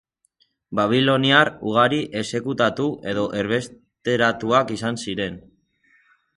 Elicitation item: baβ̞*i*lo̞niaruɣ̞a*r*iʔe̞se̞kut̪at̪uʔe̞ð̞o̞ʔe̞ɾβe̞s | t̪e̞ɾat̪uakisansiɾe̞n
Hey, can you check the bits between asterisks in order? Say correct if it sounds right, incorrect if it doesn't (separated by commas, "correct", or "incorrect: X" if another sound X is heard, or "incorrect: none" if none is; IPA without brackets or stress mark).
correct, incorrect: ɾ